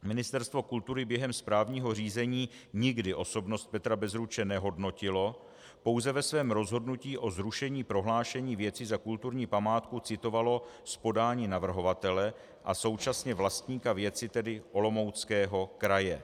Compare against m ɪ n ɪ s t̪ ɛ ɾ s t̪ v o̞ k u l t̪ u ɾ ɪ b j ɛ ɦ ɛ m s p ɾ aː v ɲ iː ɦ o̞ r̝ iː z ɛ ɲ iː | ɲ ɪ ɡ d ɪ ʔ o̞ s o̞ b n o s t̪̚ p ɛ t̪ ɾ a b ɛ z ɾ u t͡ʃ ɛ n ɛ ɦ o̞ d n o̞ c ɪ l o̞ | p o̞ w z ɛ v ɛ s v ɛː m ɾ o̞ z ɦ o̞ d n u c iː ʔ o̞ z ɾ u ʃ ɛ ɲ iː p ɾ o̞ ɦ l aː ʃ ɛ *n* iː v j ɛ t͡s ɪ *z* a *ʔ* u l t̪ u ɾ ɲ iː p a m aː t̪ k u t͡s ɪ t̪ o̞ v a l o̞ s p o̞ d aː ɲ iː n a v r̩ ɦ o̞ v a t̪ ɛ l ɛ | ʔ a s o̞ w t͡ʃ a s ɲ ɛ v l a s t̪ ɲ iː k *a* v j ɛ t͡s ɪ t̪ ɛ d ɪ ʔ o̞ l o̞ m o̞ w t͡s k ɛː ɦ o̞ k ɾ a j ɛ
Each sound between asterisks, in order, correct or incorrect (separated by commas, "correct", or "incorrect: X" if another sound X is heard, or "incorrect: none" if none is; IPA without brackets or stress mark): incorrect: ɲ, correct, incorrect: k, correct